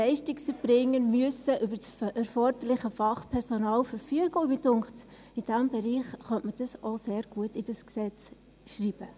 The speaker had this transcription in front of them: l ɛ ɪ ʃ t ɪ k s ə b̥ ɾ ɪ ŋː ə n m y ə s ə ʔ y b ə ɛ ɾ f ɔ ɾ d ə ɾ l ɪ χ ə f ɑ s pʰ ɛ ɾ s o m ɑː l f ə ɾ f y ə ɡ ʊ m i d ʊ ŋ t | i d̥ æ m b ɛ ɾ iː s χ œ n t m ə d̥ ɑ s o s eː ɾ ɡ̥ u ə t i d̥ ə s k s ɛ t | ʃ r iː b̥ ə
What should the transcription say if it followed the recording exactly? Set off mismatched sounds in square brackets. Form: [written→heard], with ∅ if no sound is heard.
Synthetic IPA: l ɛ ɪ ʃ t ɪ k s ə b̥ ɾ ɪ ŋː ə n m y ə s ə ʔ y b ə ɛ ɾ f ɔ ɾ d ə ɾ l ɪ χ ə f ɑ [s→χ] pʰ ɛ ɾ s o [m→n] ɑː l f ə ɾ f y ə ɡ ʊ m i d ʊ ŋ t | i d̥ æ m b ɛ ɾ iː [s→χ] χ œ n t m ə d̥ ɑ s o s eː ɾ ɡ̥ u ə t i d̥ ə s k s ɛ [t→t͡s] | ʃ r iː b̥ ə